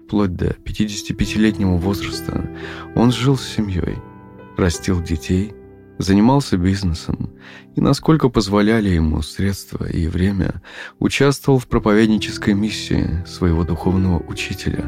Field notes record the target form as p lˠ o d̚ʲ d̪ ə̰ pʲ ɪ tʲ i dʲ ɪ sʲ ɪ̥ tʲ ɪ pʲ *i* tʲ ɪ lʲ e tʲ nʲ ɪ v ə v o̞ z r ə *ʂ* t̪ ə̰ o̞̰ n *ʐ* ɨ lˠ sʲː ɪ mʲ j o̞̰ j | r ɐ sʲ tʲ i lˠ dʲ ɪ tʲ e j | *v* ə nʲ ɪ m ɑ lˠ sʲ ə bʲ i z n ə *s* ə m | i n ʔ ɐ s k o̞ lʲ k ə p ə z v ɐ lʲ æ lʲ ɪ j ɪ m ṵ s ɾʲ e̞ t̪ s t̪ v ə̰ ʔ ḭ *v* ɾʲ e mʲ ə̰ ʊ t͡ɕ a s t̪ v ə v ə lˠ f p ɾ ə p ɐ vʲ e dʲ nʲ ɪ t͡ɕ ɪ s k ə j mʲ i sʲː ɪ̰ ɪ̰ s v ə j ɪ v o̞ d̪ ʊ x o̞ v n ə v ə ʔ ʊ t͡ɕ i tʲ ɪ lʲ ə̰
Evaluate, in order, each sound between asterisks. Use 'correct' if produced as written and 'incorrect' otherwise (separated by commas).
incorrect, incorrect, correct, incorrect, correct, correct